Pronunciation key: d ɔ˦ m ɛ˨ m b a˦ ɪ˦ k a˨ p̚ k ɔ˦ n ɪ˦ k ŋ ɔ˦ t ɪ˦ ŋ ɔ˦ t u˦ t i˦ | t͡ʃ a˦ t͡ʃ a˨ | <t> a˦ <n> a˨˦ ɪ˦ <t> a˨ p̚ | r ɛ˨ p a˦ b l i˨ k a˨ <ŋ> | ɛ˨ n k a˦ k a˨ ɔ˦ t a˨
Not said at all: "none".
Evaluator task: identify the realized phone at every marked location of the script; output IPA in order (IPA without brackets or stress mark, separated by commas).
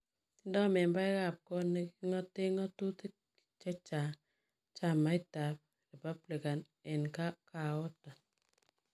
t͡ʃ, m, t, n